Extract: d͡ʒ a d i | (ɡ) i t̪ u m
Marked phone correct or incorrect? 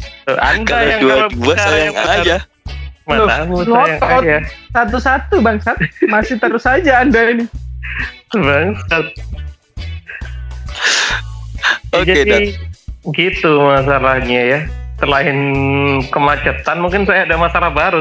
correct